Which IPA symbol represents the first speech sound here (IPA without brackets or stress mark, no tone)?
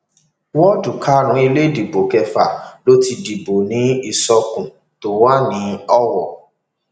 w